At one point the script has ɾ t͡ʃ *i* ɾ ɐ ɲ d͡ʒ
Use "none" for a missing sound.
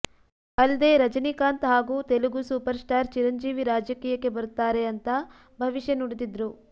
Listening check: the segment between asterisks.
i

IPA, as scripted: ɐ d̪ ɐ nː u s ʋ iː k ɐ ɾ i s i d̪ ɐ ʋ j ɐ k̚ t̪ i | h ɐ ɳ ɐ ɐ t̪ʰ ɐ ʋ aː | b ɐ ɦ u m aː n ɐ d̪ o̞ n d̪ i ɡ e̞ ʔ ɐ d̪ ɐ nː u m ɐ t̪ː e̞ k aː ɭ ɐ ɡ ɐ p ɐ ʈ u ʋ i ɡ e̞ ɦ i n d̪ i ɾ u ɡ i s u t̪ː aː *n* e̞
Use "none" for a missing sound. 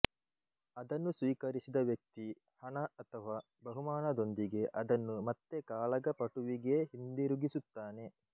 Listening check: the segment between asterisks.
n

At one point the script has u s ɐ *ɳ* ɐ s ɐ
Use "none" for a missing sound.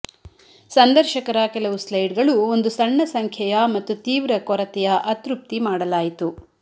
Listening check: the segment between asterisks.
ɳː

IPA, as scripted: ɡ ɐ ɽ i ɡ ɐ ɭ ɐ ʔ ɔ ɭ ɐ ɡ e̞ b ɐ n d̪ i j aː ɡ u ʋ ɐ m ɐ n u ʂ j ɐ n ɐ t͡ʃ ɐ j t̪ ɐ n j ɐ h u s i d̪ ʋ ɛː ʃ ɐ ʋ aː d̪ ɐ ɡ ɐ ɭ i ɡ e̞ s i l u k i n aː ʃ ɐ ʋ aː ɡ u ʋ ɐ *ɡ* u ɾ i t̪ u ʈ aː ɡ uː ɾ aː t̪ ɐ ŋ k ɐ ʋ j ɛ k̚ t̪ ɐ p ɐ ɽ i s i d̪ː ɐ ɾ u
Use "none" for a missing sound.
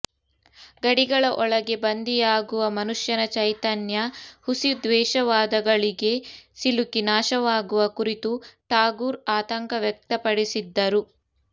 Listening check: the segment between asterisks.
k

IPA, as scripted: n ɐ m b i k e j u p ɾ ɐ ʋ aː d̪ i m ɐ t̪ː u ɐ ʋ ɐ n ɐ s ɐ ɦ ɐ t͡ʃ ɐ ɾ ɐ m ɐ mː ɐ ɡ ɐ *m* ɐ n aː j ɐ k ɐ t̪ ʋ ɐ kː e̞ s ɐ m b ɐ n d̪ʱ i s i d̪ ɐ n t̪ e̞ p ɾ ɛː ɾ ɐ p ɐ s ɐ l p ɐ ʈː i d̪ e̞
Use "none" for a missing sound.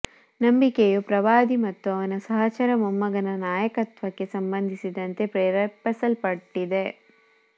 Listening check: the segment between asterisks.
n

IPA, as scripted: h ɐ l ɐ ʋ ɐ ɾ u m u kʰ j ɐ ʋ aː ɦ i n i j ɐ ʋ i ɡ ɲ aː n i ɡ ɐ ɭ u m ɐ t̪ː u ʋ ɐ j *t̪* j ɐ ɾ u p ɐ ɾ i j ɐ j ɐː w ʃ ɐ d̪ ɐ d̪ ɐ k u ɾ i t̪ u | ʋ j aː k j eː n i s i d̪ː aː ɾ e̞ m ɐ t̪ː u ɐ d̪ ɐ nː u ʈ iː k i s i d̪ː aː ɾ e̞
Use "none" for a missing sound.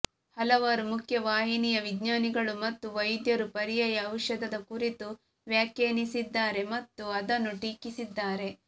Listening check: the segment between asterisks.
d̪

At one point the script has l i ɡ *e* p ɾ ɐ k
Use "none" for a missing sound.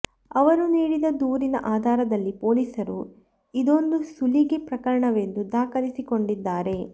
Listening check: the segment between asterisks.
e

